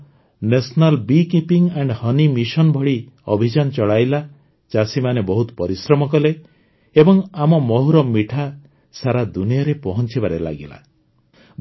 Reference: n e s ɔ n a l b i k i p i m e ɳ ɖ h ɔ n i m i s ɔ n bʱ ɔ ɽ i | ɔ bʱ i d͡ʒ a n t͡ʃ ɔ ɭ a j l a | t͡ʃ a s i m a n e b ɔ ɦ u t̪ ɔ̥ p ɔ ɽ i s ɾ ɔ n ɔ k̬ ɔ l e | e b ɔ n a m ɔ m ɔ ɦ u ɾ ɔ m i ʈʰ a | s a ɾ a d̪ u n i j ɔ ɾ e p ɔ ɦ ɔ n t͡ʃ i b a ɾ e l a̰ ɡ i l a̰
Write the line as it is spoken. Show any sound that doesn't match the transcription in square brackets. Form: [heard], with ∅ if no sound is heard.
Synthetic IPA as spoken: n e s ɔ n a l b i k i p i [ŋ] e ɳ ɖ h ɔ n i m i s ɔ n bʱ ɔ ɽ i | ɔ bʱ i d͡ʒ a n t͡ʃ ɔ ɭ a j l a | t͡ʃ a s i m a n e b ɔ ɦ u t̪ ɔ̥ p ɔ [ɾ] i s ɾ ɔ [m] ɔ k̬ ɔ l e | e b ɔ [ŋ] a m ɔ m ɔ ɦ u ɾ ɔ m i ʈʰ a | s a ɾ a d̪ u n i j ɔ ɾ e p ɔ ɦ ɔ n t͡ʃ i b a ɾ e l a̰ ɡ i l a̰